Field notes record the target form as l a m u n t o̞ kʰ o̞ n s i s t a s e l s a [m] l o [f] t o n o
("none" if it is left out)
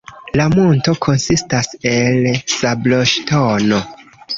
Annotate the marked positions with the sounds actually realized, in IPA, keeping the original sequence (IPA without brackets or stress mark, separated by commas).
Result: b, ʃ